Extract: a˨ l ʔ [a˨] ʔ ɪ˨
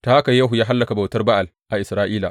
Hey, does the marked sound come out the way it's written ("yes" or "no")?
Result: yes